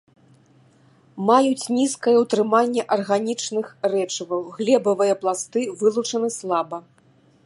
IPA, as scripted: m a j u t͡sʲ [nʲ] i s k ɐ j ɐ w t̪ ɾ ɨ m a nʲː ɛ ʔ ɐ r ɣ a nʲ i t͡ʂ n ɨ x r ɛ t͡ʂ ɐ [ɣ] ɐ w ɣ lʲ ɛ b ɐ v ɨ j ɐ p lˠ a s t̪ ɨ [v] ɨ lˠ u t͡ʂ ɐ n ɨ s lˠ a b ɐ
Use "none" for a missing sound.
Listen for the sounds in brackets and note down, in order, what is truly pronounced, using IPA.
nʲ, v, v

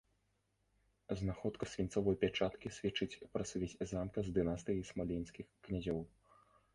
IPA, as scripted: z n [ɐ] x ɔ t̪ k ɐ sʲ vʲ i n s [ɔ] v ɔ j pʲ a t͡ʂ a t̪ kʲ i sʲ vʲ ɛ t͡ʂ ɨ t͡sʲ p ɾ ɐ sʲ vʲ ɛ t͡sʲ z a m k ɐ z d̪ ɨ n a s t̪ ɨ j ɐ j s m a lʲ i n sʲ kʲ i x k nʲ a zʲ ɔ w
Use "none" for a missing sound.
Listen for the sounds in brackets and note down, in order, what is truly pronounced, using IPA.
a, ɔ

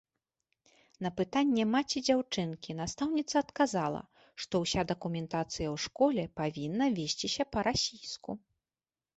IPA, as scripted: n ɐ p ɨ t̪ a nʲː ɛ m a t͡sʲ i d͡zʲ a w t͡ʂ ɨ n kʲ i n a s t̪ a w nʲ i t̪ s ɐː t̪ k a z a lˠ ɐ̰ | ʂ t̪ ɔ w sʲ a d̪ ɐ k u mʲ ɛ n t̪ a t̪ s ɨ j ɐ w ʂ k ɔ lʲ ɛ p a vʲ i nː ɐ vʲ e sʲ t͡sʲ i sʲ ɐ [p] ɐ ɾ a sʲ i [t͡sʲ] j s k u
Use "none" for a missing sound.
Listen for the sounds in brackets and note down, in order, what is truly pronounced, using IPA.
p, none

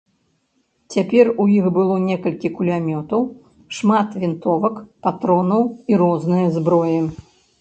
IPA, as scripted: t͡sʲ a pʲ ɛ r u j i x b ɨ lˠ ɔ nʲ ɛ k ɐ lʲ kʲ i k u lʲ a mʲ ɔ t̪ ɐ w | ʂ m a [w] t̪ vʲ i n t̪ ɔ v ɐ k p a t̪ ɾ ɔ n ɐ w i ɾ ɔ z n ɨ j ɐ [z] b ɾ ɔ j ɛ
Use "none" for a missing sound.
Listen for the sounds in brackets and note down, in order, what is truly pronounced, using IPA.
none, z

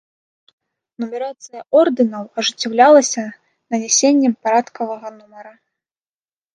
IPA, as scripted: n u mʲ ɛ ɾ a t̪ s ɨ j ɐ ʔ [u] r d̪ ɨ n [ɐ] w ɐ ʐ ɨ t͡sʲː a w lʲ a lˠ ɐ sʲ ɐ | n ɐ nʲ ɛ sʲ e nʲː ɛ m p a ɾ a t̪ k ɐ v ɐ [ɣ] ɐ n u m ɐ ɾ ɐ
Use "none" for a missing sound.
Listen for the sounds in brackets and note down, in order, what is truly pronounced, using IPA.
ɔ, ɐ, ɣ

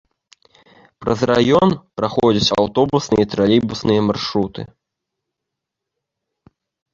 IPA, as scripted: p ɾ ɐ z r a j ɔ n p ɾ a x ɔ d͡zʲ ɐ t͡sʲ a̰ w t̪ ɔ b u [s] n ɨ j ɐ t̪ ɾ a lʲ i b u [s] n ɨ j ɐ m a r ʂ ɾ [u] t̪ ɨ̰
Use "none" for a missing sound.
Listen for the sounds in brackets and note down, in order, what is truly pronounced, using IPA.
s, s, u

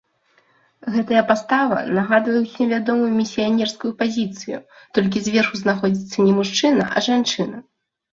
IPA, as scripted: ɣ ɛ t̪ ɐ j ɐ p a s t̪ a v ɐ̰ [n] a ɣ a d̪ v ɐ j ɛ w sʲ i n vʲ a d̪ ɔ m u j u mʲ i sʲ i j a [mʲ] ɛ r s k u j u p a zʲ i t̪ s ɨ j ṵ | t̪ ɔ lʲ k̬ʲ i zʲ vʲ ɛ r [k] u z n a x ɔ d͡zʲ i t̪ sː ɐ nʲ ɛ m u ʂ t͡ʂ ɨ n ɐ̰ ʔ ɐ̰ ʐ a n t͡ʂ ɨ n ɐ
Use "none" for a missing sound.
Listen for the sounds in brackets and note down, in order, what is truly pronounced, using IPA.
n, nʲ, x

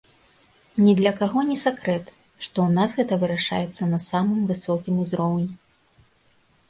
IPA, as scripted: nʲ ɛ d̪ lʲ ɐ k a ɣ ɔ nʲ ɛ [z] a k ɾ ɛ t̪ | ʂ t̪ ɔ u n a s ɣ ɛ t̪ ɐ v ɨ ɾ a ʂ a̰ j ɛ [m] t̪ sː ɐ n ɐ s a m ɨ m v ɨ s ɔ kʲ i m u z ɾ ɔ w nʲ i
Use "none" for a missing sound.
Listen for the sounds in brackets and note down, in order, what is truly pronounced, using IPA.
s, none

